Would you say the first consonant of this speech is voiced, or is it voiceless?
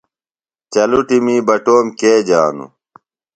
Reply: voiceless